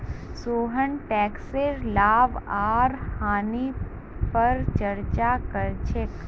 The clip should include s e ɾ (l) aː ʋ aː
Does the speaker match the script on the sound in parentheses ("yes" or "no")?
yes